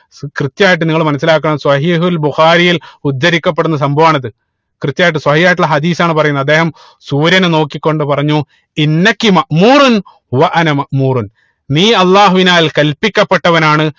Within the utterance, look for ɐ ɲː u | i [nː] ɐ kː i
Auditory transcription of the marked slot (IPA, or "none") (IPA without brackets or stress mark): nː